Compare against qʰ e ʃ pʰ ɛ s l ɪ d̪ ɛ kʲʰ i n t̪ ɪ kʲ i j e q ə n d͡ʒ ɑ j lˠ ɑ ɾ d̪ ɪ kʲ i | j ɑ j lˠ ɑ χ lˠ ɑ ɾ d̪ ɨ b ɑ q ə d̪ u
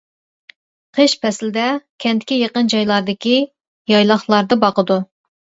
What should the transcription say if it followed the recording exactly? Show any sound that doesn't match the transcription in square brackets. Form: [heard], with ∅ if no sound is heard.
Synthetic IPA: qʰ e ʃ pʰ ɛ s l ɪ d̪ ɛ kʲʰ [ɛ] n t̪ ɪ kʲ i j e q ə n d͡ʒ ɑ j lˠ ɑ ɾ d̪ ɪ kʲ i | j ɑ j lˠ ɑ χ lˠ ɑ ɾ d̪ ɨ b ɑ q ə d̪ u